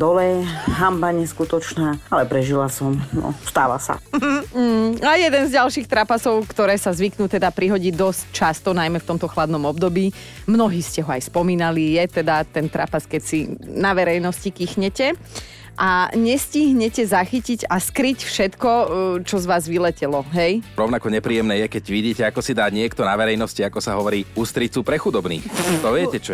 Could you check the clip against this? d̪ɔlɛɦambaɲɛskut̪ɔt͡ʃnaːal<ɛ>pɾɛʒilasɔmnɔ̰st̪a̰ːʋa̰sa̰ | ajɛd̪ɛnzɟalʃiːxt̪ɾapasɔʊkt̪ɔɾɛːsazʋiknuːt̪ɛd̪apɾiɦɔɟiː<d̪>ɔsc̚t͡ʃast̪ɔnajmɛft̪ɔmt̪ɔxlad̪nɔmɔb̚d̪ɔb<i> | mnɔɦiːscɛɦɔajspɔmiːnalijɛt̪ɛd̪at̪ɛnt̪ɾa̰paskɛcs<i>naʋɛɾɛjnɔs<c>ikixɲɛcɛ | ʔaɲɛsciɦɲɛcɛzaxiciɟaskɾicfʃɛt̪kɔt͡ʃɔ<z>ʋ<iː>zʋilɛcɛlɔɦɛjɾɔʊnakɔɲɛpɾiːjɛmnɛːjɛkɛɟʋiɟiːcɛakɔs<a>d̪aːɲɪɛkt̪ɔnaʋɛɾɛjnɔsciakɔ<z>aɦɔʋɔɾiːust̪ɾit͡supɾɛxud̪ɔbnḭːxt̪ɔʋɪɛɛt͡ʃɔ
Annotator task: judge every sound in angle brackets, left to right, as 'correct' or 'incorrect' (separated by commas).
correct, correct, incorrect, correct, correct, correct, incorrect, incorrect, incorrect